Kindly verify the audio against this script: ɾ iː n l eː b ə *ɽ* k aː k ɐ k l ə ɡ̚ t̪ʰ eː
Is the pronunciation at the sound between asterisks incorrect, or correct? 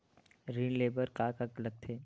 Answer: incorrect